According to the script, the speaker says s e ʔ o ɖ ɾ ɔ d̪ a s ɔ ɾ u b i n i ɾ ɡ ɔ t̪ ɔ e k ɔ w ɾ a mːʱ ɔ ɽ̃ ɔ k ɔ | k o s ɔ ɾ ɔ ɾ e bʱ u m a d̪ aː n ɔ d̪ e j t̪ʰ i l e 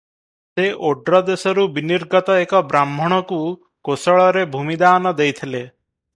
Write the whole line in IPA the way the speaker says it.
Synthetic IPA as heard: s e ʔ o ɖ ɾ ɔ d̪ e s ɔ ɾ u b i n i ɾ ɡ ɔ t̪ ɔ e k ɔ b ɾ a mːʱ ɔ ɽ̃ ɔ k u | k o s ɔ ɭ ɔ ɾ e bʱ u m i d̪ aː n ɔ d̪ e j t̪ʰ i l e